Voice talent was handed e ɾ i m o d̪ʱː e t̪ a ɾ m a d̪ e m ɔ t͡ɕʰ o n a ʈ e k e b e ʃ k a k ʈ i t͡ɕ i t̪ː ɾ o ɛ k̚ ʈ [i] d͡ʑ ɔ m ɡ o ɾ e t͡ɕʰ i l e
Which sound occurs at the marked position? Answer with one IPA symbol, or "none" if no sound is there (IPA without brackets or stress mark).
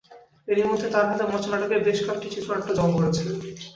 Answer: a